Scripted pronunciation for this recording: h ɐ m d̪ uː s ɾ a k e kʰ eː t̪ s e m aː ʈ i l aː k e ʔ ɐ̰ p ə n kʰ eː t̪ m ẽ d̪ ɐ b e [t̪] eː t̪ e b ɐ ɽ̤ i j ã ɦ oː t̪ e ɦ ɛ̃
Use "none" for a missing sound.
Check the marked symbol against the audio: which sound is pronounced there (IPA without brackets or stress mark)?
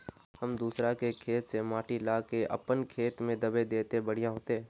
d̪